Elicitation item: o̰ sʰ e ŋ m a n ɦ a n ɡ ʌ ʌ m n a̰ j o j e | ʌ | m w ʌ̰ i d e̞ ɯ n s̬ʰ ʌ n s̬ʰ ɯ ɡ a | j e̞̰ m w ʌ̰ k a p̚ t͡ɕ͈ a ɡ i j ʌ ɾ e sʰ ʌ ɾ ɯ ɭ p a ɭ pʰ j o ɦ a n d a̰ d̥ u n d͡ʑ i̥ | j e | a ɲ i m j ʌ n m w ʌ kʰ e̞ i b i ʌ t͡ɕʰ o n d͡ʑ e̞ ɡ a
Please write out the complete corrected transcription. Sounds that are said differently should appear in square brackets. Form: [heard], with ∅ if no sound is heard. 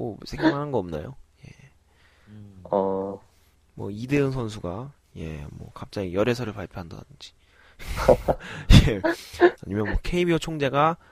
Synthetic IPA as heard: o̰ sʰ e ŋ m a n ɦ a n ɡ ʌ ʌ m n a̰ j o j e | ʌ | m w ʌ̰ i d e̞ ɯ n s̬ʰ ʌ n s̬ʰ [u] ɡ a | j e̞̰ m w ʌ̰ k a p̚ t͡ɕ͈ a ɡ i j ʌ ɾ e sʰ ʌ ɾ ɯ ɭ p a ɭ pʰ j o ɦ a n d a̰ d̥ [ɯ] n d͡ʑ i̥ | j e | a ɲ i m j ʌ n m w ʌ kʰ e̞ i b i ʌ t͡ɕʰ o [ŋ] d͡ʑ e̞ ɡ a